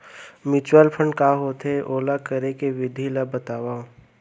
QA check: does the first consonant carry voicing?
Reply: yes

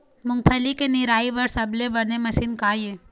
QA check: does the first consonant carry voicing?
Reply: yes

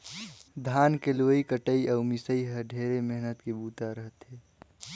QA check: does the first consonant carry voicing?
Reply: yes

